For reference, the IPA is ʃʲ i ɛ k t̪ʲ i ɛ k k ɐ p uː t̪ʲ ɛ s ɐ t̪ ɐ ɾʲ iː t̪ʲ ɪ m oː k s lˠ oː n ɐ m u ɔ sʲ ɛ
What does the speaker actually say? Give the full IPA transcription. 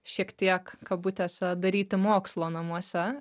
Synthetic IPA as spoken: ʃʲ i ɛ k t̪ʲ i ɛ k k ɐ b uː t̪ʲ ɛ s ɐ d̪ ɐ ɾʲ iː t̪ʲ ɪ m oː k s lˠ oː n ɐ m u ɔ sʲ ɛ